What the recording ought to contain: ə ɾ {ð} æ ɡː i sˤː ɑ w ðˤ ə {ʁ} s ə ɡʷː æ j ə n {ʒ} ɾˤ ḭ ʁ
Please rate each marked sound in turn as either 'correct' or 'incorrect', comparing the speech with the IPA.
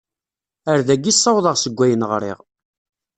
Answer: correct, correct, incorrect

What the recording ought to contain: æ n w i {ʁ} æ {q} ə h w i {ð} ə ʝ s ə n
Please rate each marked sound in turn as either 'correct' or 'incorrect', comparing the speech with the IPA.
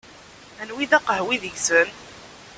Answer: incorrect, correct, correct

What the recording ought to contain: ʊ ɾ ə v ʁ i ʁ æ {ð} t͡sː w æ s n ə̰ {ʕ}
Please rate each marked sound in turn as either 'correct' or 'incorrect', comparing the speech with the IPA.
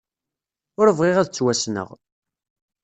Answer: correct, incorrect

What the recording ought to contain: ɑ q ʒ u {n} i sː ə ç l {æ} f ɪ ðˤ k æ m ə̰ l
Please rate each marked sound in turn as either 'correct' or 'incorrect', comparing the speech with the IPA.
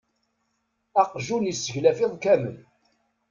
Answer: correct, correct

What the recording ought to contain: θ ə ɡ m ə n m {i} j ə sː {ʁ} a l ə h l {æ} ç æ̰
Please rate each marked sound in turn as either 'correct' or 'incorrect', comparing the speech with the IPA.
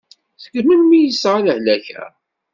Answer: correct, correct, correct

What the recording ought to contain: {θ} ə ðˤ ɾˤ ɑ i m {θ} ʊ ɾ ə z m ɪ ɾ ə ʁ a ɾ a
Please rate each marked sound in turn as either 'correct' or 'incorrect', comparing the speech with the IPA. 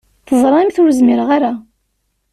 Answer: correct, correct

